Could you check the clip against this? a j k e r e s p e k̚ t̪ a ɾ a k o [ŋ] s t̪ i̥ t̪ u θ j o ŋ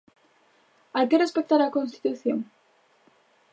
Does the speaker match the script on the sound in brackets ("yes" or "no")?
no